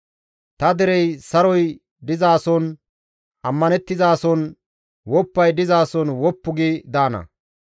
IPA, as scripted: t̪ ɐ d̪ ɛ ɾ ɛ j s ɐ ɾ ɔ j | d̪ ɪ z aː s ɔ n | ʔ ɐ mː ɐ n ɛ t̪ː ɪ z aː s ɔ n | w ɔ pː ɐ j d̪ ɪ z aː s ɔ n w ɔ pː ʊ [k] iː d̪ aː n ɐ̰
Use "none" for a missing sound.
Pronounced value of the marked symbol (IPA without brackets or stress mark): ɡ